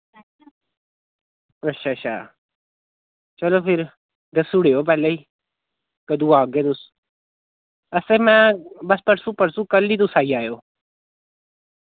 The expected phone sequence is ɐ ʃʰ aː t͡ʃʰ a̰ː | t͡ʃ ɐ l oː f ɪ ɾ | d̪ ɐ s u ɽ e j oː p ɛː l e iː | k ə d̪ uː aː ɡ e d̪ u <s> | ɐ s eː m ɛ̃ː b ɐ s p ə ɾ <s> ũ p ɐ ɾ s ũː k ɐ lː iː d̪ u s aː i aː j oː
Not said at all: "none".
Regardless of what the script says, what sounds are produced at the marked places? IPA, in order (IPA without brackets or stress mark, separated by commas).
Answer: s, s